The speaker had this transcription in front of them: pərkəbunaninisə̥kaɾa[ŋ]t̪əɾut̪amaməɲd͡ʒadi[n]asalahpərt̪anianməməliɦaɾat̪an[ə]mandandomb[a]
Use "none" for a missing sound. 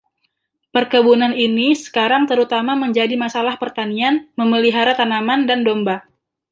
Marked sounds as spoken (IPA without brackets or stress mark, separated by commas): ŋ, m, a, a